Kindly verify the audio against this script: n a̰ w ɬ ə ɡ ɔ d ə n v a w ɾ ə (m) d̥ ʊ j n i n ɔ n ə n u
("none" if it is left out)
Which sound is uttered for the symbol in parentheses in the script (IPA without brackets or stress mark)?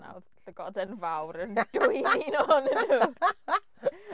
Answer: n